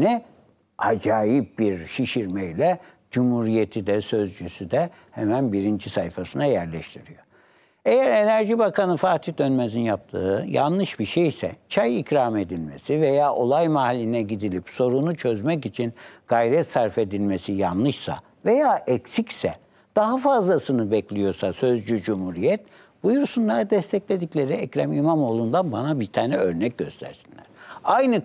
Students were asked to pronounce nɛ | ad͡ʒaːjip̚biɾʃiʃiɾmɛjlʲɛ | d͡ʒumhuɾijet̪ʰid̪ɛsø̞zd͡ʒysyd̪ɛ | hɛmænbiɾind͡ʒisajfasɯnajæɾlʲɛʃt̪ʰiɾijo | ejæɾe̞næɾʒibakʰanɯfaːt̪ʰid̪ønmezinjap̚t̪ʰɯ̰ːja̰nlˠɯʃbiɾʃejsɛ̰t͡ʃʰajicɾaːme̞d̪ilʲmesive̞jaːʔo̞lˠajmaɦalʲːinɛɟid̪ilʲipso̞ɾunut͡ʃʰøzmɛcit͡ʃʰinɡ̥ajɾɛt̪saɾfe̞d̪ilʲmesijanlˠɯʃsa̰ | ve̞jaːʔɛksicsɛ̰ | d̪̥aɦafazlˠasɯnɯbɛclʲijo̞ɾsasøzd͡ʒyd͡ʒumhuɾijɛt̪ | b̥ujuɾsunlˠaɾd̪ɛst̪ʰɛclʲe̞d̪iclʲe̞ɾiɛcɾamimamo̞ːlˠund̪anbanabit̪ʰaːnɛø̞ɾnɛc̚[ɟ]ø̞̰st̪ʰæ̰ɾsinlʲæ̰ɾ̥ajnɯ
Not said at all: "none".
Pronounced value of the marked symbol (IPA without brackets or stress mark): ɟ